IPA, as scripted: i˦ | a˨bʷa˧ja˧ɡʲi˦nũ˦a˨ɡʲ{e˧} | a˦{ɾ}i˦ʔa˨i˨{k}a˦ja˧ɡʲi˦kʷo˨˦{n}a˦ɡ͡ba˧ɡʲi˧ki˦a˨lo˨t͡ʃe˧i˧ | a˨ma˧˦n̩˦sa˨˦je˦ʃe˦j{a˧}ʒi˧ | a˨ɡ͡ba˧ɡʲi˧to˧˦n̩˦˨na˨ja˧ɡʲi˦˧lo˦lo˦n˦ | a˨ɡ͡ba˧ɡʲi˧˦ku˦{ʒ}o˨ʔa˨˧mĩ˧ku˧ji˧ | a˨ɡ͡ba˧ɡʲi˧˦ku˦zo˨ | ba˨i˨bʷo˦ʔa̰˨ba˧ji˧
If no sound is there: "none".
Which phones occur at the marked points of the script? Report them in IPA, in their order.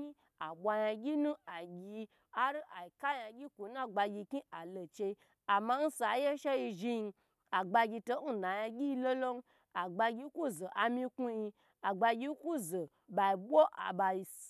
i˧, ɾ, k, n, i˧, z

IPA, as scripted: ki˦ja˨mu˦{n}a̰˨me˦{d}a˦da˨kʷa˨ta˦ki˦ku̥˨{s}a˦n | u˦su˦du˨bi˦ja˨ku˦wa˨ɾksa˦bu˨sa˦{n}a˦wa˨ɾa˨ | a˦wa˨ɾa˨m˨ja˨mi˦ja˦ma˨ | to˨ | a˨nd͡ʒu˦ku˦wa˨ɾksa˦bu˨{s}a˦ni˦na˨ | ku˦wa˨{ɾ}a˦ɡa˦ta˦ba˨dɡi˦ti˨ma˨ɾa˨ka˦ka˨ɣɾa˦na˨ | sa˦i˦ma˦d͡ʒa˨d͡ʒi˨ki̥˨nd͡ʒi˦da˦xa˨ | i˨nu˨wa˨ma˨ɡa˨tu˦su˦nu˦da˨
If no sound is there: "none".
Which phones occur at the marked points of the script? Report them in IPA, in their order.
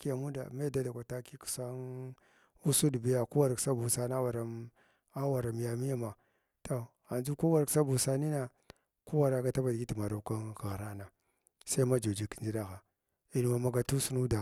d, d, s, n, s, ɾ

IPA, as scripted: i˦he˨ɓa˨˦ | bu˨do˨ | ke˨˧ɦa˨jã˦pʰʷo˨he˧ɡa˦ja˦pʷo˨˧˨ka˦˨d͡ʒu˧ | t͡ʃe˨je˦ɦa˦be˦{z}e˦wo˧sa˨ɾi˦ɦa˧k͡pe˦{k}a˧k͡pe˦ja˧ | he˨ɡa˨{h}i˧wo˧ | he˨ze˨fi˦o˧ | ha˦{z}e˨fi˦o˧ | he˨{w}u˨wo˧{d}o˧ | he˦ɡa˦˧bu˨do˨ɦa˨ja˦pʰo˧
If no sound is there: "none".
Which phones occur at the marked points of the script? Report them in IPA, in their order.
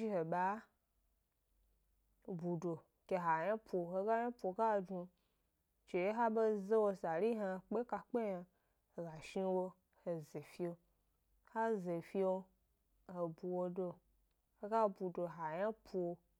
z, k, ʃ, z, b, d

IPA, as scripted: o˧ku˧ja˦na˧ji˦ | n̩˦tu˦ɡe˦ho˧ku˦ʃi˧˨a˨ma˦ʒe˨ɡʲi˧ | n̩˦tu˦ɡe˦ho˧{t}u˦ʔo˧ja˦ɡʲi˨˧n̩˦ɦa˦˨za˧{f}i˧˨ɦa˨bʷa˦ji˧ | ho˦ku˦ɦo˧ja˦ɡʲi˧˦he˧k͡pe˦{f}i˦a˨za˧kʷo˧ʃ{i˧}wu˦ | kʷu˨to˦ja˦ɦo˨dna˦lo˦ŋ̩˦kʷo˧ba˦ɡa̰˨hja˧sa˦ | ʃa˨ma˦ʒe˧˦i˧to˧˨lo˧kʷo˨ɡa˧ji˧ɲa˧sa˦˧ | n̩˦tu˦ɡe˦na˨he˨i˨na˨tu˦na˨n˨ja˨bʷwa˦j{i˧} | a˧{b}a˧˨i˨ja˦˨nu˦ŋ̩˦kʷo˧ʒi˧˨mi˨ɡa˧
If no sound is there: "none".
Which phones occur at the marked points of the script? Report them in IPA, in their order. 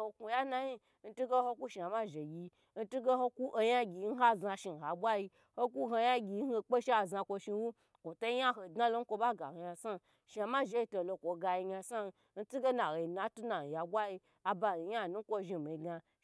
k, ʃ, ʃ, i˧, i˧, b

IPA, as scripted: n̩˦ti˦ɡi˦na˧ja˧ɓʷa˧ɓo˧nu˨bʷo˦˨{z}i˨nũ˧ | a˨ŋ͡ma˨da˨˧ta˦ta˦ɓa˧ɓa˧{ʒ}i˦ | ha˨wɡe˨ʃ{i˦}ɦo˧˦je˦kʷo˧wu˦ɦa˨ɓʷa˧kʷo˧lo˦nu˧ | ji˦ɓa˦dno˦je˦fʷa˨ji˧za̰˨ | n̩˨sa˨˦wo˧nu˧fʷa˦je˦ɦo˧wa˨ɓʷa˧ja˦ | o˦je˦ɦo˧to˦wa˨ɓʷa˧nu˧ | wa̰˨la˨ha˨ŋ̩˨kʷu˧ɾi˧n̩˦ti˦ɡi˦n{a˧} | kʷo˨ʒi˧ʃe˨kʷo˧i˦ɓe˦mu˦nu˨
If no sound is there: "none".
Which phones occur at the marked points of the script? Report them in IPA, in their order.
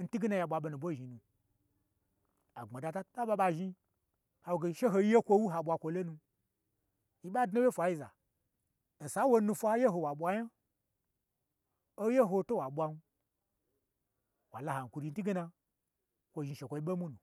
ʒ, ʒ, e˦, a˧

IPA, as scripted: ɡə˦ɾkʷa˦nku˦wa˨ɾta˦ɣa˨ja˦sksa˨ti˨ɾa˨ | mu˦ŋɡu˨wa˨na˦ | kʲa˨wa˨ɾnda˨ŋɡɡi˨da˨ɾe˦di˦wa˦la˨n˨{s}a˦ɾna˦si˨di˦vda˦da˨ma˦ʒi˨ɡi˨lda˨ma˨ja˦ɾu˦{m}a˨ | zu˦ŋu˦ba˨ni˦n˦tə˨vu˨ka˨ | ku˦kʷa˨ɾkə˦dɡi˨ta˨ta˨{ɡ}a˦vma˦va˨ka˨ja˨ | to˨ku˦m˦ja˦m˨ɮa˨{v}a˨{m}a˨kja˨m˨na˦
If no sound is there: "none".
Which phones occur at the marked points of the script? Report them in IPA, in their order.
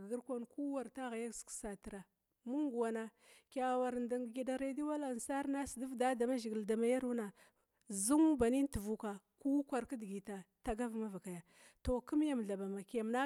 s, n, ɡ, b, m

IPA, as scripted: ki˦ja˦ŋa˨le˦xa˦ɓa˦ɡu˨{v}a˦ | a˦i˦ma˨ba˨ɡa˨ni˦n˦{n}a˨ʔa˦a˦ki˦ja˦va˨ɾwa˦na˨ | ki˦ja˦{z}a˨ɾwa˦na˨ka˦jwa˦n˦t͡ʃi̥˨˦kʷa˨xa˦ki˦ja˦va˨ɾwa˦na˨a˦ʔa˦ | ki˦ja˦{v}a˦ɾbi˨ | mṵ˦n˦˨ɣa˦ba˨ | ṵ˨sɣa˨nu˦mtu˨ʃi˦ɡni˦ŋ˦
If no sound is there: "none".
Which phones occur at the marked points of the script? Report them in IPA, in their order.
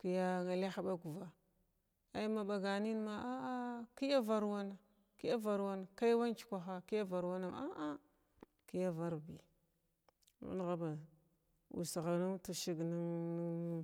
v, m, v, v

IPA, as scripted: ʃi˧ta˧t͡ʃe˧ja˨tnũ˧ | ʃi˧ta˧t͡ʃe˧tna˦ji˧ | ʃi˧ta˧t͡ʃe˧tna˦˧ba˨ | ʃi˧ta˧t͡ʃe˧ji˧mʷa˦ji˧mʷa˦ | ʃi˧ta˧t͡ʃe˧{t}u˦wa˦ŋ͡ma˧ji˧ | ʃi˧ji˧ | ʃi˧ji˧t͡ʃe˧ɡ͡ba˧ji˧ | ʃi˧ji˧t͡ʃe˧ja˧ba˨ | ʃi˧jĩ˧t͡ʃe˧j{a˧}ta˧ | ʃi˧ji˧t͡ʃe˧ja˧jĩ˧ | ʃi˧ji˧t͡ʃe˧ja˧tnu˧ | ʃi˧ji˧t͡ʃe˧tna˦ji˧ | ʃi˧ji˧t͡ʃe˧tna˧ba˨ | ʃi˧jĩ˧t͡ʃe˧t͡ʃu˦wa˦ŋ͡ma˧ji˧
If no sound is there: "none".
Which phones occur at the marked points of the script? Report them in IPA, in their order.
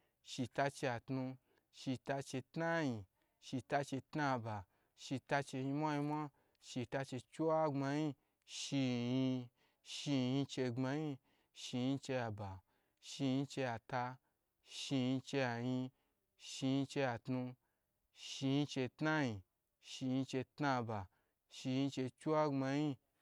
t͡ʃ, a˧

